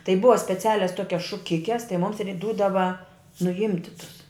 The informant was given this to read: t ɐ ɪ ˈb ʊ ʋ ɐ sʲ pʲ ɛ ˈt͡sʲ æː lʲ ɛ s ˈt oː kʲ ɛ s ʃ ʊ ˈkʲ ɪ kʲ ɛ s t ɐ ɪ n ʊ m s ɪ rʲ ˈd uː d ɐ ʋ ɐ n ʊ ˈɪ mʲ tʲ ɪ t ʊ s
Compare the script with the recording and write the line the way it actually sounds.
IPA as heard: t ɐ ɪ ˈb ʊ ʋ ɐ sʲ pʲ ɛ ˈt͡sʲ æː lʲ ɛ s ˈt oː kʲ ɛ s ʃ ʊ ˈkʲ ɪ kʲ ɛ s t ɐ ɪ m ʊ m s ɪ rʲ ˈd uː d ɐ ʋ ɐ n ʊ ˈɪ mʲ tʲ ɪ t ʊ s